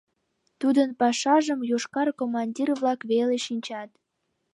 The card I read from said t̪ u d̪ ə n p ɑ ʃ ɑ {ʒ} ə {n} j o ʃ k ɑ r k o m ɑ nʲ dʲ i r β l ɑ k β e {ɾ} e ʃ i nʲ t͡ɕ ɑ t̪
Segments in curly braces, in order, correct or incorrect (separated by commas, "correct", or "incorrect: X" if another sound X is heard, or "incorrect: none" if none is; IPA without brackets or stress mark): correct, incorrect: m, incorrect: l